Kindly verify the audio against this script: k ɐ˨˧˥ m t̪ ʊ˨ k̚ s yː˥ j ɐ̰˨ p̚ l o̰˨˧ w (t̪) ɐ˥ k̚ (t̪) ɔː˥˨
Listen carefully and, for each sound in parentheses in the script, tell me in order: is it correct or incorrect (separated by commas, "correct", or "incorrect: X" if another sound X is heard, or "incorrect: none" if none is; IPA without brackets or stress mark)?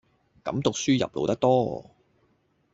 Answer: correct, correct